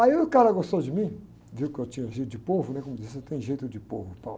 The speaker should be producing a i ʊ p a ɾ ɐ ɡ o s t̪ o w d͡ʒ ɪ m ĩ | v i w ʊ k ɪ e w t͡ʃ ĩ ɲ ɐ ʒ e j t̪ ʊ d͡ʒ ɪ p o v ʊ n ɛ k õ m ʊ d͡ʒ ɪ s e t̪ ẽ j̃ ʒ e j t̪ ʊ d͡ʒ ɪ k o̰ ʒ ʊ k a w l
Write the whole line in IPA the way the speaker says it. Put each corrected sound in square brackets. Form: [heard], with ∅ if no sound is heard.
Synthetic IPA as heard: a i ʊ [k] a ɾ ɐ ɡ o s t̪ o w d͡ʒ ɪ m ĩ | v i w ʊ k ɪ e w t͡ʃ ĩ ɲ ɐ ʒ e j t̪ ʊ d͡ʒ ɪ p o v ʊ n ɛ k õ m ʊ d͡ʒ [i] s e t̪ ẽ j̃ ʒ e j t̪ ʊ d͡ʒ ɪ [p] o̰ [v] ʊ [p] a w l